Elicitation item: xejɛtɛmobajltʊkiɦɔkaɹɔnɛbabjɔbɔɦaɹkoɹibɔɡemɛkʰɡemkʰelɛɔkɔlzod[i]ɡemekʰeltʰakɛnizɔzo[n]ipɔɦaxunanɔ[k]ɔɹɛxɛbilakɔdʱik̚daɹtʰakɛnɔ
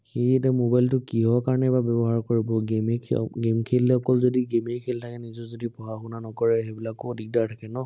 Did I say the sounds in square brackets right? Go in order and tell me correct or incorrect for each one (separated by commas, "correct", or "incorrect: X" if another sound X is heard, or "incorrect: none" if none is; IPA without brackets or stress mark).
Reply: correct, incorrect: d, correct